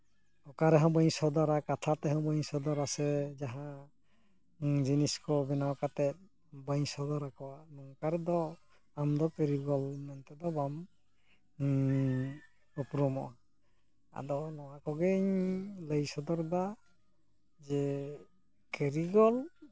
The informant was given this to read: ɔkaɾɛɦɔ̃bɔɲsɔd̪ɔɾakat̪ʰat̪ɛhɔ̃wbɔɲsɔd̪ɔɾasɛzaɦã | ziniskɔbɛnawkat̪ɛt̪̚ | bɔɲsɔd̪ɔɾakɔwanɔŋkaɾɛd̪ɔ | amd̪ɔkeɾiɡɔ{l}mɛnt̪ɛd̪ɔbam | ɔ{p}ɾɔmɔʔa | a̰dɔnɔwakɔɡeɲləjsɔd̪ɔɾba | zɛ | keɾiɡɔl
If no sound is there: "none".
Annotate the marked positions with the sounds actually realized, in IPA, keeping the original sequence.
l, p

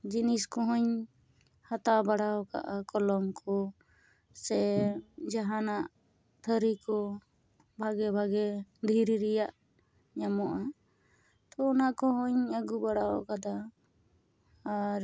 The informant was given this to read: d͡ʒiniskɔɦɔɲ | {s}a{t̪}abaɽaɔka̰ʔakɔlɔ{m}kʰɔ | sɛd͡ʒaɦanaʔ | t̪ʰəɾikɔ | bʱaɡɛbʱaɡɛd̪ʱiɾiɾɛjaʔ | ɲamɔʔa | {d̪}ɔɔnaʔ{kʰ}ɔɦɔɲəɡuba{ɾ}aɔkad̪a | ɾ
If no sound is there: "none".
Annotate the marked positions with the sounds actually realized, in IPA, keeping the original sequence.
h, t̪, m, t̪, k, ɽ

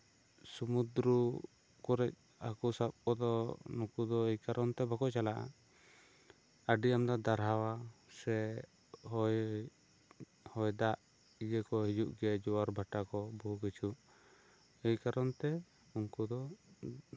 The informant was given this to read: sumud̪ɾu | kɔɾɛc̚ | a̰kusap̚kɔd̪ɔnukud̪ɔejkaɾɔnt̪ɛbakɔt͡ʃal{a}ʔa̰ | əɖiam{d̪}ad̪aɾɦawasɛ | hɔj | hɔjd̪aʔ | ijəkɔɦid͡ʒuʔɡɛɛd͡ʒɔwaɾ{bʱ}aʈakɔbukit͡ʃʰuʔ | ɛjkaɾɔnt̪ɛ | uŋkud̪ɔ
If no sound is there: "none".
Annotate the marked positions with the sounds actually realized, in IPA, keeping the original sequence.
a, d̪, bʱ

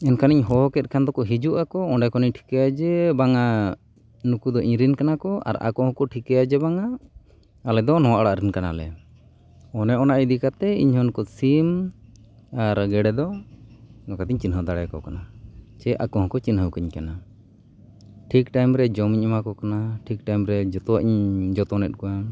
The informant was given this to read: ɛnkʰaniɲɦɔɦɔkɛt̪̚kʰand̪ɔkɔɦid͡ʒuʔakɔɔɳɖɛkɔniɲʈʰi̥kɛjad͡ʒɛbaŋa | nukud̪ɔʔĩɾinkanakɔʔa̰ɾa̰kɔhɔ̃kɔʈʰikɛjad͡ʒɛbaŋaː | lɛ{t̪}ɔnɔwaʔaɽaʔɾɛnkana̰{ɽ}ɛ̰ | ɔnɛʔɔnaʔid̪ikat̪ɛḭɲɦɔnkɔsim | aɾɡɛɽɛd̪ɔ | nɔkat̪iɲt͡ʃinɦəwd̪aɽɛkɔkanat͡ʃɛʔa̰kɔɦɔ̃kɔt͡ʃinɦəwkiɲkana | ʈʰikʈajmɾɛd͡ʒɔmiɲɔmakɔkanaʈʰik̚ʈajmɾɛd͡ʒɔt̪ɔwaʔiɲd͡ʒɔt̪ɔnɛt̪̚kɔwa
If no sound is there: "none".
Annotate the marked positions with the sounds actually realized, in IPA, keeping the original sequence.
d̪, l

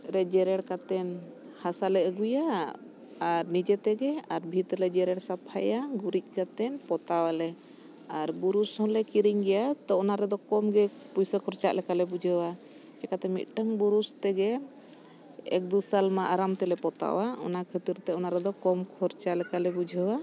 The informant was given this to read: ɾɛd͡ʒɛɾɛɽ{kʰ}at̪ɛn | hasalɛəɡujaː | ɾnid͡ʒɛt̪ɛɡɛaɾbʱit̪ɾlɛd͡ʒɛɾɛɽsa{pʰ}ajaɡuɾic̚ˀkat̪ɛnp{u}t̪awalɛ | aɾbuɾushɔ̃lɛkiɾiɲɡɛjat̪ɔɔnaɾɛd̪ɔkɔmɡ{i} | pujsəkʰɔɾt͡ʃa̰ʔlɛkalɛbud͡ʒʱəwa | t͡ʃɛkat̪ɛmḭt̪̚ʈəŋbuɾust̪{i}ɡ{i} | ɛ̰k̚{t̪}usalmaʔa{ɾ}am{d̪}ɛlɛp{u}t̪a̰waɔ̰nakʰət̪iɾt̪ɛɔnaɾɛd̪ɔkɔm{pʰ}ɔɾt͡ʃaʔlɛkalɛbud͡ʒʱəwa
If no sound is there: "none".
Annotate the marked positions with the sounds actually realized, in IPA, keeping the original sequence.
k, pʰ, ɔ, ɛ, ɛ, ɛ, d̪, ɾ, t̪, ɔ, kʰ

